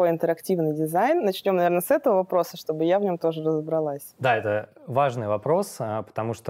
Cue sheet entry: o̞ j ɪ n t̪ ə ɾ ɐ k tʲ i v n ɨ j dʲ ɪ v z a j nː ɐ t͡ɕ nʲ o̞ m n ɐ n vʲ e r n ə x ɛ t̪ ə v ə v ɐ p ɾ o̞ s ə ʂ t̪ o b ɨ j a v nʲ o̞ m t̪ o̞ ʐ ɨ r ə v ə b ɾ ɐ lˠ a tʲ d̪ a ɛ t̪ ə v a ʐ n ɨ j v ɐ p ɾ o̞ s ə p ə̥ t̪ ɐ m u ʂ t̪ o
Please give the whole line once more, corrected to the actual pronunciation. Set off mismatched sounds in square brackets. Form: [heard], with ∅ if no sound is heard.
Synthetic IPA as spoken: o̞ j ɪ n t̪ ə ɾ ɐ k tʲ i v n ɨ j dʲ ɪ [∅] z a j nː ɐ t͡ɕ nʲ o̞ m n ɐ [∅] vʲ e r n ə [s] ɛ t̪ ə v ə v ɐ p ɾ o̞ s ə ʂ t̪ o b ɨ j a v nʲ o̞ m t̪ o̞ ʐ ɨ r ə [z] ə b ɾ ɐ lˠ a [sʲ] d̪ a ɛ t̪ ə v a ʐ n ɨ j v ɐ p ɾ o̞ s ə p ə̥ t̪ ɐ m u ʂ t̪ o